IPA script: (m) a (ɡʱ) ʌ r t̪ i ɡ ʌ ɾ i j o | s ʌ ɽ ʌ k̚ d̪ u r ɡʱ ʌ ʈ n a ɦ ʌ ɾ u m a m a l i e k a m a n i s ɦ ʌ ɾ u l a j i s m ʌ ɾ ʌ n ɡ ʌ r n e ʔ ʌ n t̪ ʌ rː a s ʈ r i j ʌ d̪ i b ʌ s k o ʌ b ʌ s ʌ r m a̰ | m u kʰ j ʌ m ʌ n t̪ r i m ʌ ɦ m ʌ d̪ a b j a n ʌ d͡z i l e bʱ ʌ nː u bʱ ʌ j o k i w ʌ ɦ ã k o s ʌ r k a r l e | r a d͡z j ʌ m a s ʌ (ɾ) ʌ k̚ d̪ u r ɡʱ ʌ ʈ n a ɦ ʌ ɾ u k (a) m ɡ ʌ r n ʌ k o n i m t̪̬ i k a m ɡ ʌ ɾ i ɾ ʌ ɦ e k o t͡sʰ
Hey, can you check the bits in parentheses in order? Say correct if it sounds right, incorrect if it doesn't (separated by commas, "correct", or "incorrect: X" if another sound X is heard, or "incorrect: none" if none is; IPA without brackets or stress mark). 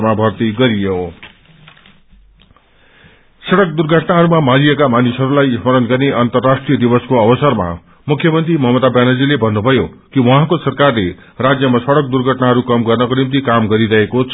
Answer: correct, incorrect: bʱ, incorrect: ɽ, incorrect: ʌ